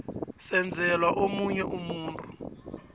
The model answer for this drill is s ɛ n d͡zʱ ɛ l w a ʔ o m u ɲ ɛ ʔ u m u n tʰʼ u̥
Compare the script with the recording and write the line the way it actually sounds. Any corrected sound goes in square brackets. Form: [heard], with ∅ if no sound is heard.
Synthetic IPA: s ɛ n d͡zʱ ɛ l w a ʔ o m u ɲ ɛ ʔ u m [uː] n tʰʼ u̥